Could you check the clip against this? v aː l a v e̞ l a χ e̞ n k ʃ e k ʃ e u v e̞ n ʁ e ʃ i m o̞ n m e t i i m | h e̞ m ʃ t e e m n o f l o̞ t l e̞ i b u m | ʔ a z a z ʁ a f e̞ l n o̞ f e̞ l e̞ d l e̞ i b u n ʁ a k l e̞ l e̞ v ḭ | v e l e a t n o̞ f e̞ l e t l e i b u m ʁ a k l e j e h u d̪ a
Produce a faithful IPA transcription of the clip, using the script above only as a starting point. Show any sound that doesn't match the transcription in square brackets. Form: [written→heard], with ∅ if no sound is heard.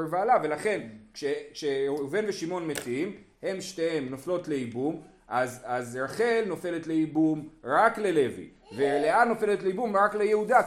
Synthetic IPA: v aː l a v e̞ l a χ e̞ n k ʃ e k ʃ e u v e̞ n [ʁ→v] e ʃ i m o̞ n m e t i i m | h e̞ m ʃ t e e m n o f l o̞ t l e̞ i b u m | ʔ a z a z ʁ a [f→χ] e̞ l n o̞ f e̞ l e̞ [d→t] l e̞ i b u [n→m] ʁ a k l e̞ l e̞ v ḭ | v e l e a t n o̞ f e̞ l e t l e i b u m ʁ a k l e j e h u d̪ a